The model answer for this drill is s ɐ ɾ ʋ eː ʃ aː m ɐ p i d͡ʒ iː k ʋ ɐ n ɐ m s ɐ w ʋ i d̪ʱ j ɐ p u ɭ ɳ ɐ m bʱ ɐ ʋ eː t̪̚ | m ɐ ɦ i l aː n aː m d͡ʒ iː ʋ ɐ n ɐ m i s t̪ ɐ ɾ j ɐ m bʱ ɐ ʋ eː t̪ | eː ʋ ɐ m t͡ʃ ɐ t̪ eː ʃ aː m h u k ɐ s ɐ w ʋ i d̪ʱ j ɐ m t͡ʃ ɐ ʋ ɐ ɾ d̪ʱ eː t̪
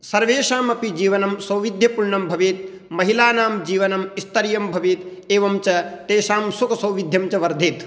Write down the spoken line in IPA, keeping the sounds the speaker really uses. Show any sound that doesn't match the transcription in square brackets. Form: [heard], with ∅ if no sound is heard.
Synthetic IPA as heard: s ɐ ɾ ʋ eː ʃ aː m ɐ p i d͡ʒ iː [∅] ʋ ɐ n ɐ m s ɐ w ʋ i d̪ʱ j ɐ p u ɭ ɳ ɐ m bʱ ɐ ʋ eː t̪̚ | m ɐ ɦ i l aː n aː m d͡ʒ iː ʋ ɐ n ɐ m i s t̪ ɐ ɾ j ɐ m bʱ ɐ ʋ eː t̪ | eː ʋ ɐ m t͡ʃ ɐ t̪ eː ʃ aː m [s] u k ɐ s ɐ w ʋ i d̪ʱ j ɐ m t͡ʃ ɐ ʋ ɐ ɾ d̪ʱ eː t̪